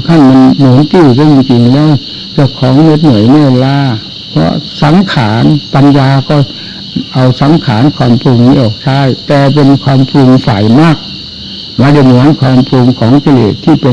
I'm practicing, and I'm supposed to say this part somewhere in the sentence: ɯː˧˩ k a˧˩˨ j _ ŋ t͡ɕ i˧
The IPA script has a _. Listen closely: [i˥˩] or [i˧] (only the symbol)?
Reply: i˧